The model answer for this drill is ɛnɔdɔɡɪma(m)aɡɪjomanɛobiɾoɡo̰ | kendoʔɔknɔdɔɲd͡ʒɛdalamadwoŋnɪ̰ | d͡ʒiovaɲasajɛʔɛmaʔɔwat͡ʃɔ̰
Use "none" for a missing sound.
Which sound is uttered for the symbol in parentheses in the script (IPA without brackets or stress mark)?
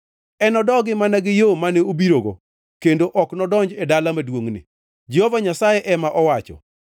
n